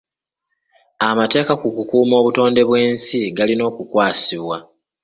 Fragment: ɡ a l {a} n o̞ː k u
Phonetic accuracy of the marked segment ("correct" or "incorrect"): incorrect